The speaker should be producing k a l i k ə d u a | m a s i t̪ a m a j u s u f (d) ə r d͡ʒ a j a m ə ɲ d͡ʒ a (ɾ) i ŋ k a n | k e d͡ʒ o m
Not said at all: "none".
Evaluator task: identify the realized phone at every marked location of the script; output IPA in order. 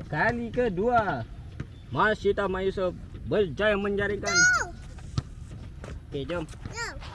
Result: b, ɾ

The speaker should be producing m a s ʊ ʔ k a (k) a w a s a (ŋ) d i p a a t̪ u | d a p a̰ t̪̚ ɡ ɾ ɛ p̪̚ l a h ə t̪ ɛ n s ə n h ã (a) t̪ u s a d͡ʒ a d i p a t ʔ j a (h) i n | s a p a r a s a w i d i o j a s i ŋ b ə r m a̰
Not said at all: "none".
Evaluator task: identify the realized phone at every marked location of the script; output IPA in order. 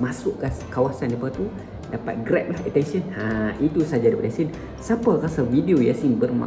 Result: k, n, i, s

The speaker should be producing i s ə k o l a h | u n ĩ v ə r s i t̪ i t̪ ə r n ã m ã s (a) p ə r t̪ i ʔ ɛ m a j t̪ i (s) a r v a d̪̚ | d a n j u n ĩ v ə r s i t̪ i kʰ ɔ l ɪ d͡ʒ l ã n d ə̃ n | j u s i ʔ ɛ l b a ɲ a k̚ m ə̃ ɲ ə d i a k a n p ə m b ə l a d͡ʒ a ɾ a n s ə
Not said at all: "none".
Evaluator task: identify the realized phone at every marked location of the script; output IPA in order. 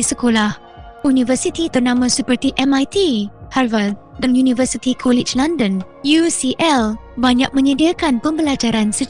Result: ə, h

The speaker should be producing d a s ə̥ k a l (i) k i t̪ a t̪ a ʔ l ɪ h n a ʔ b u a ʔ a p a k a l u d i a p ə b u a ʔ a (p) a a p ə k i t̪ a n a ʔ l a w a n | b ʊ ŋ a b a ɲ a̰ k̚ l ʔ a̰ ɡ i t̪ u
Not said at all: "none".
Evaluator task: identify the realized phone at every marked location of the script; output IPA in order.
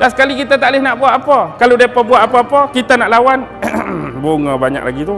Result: i, p

